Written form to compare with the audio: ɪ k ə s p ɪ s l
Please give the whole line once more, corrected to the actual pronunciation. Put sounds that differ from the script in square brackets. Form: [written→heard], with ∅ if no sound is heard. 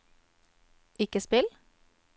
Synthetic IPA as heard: ɪ k ə s p ɪ [s→∅] l

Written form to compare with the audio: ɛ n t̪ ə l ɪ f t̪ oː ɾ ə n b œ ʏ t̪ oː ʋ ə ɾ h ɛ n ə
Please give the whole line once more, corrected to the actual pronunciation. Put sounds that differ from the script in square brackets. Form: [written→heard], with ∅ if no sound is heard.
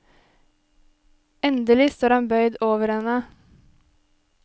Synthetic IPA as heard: ɛ n [t̪→d̪] ə l ɪ [f→s] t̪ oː ɾ [ə→ɑ] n b œ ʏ [t̪→d̪] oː ʋ ə ɾ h ɛ n ə

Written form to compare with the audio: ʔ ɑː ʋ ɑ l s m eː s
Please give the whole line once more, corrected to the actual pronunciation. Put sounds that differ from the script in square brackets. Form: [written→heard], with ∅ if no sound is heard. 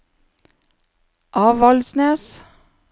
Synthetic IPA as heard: ʔ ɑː ʋ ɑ l s [m→n] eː s

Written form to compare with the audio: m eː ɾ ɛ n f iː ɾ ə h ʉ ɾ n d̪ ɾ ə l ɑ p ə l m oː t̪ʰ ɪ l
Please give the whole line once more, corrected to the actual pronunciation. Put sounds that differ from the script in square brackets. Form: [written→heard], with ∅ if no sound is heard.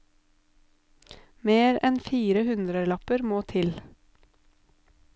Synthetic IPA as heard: m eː ɾ ɛ n f iː ɾ ə h ʉ [ɾ→∅] n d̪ ɾ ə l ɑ p ə [l→ɾ] m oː t̪ʰ ɪ l

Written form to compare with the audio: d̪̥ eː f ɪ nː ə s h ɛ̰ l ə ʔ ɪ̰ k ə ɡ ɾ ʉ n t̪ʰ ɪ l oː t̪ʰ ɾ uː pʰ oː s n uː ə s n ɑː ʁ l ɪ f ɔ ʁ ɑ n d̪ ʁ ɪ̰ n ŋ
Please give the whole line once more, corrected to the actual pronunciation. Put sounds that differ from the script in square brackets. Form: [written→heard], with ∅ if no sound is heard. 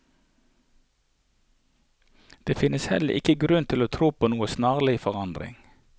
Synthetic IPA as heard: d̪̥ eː f ɪ [nː→n] ə s h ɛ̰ l ə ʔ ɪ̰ k ə ɡ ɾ ʉ n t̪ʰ ɪ l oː t̪ʰ ɾ uː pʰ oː [s→∅] n uː ə s n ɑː ʁ l ɪ f ɔ ʁ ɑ n d̪ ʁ ɪ̰ [n→∅] ŋ

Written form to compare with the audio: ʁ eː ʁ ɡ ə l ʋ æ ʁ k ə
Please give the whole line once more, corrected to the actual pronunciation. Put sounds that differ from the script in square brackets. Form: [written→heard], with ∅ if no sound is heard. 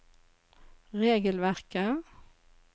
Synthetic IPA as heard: ʁ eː [ʁ→∅] ɡ ə l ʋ æ ʁ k ə

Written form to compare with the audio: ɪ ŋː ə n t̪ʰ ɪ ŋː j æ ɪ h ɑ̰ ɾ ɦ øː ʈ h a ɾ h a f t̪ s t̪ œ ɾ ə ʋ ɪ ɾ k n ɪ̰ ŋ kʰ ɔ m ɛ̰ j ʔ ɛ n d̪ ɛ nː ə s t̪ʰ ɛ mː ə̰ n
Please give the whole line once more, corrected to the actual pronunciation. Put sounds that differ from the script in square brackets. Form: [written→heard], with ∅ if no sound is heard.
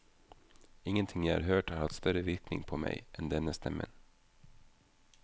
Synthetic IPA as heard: ɪ ŋː ə n t̪ʰ ɪ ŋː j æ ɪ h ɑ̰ ɾ ɦ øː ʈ h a ɾ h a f t̪ s t̪ œ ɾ ə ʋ ɪ ɾ k n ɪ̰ ŋ [kʰ→pʰ] ɔ m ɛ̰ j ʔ ɛ n d̪ ɛ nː ə s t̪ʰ ɛ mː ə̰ n

